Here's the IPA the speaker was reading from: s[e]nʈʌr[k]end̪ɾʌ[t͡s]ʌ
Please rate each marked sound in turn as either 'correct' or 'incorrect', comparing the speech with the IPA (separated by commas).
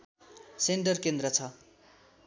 correct, correct, incorrect